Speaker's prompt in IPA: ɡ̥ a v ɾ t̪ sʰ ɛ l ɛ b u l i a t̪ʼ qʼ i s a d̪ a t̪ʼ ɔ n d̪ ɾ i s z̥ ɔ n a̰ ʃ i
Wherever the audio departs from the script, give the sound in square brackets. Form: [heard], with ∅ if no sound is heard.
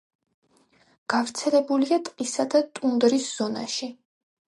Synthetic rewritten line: ɡ̥ a v ɾ t̪ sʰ ɛ l ɛ b u l i a t̪ʼ qʼ i s a d̪ a t̪ʼ [u] n d̪ ɾ i s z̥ ɔ n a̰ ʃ i